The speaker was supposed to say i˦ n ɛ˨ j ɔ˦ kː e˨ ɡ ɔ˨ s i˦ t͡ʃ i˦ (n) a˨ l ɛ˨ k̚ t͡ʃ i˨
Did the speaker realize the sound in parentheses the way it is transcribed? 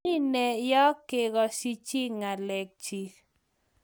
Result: no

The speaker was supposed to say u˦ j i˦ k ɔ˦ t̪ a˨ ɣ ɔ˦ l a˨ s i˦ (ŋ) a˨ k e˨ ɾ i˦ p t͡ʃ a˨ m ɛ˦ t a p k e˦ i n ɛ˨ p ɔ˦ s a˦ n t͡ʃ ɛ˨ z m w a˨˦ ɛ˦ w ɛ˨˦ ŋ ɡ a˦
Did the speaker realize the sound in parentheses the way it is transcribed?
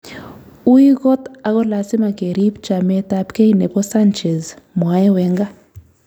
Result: no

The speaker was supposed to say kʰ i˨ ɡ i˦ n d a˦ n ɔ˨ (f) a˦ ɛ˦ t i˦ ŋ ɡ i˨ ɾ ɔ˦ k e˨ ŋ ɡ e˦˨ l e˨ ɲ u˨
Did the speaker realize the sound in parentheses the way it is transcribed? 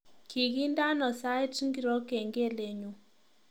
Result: no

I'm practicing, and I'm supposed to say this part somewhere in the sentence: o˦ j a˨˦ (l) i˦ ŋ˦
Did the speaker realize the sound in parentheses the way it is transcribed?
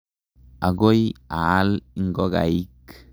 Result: yes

